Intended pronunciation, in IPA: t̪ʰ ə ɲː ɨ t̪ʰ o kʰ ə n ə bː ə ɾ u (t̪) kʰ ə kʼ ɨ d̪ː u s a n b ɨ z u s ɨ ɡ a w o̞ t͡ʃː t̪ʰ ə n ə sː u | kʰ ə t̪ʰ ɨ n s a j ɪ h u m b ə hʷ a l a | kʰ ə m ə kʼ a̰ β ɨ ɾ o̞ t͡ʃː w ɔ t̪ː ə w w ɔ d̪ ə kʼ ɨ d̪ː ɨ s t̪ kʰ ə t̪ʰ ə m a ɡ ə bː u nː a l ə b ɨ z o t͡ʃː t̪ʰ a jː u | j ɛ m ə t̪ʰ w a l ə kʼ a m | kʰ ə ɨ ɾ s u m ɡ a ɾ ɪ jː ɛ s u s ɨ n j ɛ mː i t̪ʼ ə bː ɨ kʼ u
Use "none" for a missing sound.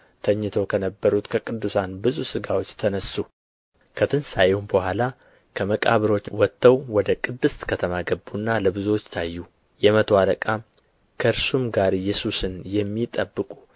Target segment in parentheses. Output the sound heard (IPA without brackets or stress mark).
t̪